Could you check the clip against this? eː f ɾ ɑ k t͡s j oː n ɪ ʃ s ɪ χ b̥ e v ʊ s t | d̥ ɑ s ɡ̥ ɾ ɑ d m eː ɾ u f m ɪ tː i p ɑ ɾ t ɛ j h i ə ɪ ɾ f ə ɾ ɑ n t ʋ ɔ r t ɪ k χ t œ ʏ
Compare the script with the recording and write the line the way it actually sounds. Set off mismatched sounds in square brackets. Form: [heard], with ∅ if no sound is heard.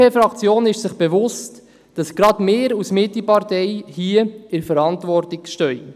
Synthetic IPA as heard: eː f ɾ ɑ k t͡s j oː n ɪ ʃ s ɪ χ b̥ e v ʊ s t | d̥ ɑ s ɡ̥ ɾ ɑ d m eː ɾ u [s] m ɪ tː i p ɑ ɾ t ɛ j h i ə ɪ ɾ f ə ɾ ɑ n t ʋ ɔ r t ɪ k [ʃ] t œ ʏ